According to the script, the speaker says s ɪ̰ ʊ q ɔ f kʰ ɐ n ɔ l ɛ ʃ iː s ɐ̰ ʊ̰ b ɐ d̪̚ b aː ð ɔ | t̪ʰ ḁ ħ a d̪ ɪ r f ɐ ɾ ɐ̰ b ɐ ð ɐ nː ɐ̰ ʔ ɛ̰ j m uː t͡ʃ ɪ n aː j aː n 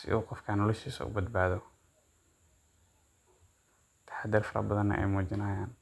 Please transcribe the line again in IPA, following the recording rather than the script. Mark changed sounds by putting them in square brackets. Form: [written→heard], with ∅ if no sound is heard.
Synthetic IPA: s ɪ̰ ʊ q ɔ f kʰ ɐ n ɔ l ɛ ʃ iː s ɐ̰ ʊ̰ b ɐ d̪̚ b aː ð ɔ | t̪ʰ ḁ ħ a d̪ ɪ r f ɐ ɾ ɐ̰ b ɐ ð ɐ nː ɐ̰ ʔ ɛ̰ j m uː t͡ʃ ɪ n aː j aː n